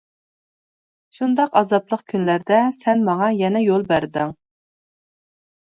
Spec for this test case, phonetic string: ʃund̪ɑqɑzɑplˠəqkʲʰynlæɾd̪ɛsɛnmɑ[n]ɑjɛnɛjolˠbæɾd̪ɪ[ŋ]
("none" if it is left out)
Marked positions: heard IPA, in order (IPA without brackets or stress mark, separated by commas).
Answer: ŋ, ŋ